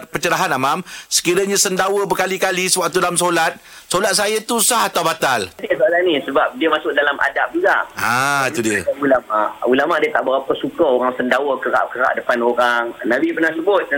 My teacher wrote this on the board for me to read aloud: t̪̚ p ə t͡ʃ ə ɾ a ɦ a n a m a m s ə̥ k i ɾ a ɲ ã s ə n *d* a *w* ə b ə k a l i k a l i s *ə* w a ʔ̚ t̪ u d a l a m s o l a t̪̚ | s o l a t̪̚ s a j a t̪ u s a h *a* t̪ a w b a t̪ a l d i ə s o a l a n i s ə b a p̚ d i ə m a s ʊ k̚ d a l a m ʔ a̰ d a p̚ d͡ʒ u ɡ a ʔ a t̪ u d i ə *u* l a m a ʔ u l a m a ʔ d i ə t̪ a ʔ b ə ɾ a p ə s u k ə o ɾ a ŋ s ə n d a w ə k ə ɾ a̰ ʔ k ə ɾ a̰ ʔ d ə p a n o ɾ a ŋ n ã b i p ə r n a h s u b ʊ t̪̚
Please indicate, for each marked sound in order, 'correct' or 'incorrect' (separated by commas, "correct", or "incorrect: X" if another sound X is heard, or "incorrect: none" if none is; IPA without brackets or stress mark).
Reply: correct, correct, correct, correct, correct